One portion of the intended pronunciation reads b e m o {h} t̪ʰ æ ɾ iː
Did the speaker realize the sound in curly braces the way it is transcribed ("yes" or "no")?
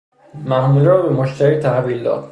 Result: no